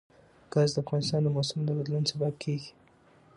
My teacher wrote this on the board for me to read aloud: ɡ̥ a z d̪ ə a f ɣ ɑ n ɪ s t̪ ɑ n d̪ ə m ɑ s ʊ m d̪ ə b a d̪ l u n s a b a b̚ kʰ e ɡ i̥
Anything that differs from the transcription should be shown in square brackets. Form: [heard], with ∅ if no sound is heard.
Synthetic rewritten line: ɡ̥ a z d̪ ə a f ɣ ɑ n ɪ s t̪ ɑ n d̪ ə m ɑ s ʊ m d̪ ə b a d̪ l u n s a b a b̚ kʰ e ɡ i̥